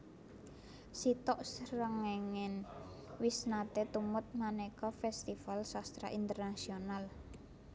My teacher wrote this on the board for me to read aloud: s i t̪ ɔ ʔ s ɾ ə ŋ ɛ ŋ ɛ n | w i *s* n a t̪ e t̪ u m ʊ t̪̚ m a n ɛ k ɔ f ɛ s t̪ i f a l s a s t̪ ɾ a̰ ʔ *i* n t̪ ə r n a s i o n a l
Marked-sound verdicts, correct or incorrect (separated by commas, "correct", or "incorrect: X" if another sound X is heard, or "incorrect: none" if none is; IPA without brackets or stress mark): correct, correct